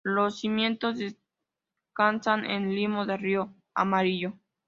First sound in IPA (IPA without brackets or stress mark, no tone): l